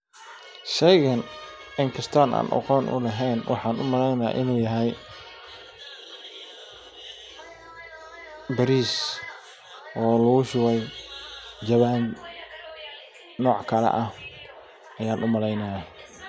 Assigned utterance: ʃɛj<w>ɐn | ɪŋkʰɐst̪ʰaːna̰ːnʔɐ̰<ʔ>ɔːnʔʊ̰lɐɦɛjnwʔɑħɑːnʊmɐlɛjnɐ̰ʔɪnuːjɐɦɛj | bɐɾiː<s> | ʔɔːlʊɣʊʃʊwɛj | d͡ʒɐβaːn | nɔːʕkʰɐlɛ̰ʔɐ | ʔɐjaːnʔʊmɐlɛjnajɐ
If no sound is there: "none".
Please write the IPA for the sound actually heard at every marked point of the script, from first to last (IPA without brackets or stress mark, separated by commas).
ɣ, q, s